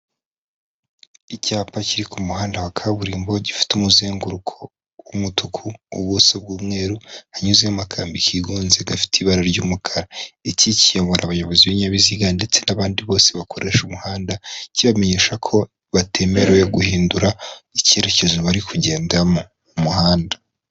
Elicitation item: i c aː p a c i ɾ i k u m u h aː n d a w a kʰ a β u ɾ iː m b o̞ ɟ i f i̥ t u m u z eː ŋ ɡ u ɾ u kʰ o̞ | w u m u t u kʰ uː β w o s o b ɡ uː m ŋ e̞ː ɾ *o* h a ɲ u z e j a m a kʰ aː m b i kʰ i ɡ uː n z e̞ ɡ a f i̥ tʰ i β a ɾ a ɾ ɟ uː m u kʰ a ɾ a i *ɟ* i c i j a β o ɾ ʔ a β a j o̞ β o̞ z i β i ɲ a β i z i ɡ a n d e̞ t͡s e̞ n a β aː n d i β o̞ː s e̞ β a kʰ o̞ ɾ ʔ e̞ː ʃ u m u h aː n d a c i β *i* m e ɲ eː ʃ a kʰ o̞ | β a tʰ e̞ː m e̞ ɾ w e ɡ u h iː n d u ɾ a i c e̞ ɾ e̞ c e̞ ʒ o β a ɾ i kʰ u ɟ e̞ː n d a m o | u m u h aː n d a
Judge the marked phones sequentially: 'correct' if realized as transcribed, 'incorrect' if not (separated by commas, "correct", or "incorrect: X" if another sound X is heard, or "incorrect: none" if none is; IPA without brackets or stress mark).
incorrect: u, incorrect: c, incorrect: a